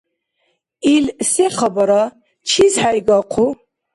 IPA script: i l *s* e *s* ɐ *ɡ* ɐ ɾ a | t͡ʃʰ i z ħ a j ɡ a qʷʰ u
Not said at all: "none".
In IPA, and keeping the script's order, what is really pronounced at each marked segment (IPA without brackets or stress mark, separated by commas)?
s, χ, b